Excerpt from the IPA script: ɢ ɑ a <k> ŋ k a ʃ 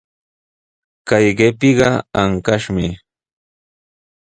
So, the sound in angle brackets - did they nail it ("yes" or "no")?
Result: no